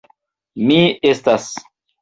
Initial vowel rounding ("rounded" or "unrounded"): unrounded